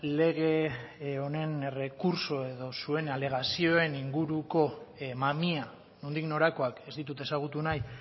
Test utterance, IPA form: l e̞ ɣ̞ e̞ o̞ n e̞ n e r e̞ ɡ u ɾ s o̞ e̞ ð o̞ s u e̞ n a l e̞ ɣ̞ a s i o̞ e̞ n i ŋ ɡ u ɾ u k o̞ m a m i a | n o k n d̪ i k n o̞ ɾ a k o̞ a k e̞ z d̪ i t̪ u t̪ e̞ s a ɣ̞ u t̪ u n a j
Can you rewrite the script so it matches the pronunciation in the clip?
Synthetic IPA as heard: l e̞ ɣ̞ e̞ o̞ n e̞ n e r e̞ k u ɾ s o̞ e̞ ð o̞ s u e̞ n a l e̞ ɣ̞ a s i o̞ e̞ n i ŋ ɡ u ɾ u k o̞ m a m i a | n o n d̪ i k n o̞ ɾ a k o̞ a k e̞ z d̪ i t̪ u t̪ e̞ s a ɣ̞ u t̪ u n a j